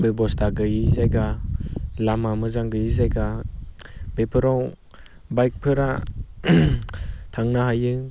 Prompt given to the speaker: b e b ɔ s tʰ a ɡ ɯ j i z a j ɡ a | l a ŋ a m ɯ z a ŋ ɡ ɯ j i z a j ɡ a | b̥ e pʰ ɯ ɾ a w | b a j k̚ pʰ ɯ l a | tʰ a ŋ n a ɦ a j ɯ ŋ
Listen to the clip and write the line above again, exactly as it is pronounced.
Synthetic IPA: b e b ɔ s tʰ a ɡ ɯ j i z a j ɡ a | l a m a m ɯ z a ŋ ɡ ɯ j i z a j ɡ a | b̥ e pʰ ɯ ɾ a w | b a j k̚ pʰ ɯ ɾ a | tʰ a ŋ n a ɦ a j ɯ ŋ